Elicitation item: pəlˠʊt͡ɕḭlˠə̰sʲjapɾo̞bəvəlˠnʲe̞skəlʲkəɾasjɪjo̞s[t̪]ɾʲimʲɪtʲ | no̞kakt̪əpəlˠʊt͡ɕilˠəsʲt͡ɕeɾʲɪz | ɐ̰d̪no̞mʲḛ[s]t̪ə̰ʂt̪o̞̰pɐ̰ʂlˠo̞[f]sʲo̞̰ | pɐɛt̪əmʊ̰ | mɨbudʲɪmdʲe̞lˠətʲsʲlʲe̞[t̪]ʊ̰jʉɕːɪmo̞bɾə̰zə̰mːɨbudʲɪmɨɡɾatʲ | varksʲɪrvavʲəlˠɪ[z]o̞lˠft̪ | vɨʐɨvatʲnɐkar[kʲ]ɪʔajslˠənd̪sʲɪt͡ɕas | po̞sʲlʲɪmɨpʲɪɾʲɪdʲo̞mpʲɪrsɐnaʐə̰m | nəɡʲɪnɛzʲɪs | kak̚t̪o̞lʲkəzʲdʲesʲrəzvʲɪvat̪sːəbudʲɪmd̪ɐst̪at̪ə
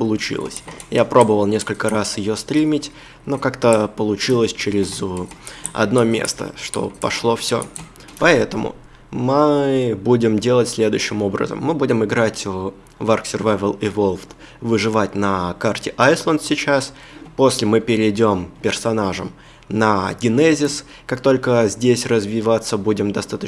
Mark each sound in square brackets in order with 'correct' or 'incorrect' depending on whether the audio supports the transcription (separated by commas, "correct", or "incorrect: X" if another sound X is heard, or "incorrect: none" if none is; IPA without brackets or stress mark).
correct, correct, correct, incorrect: d̪, incorrect: v, incorrect: tʲ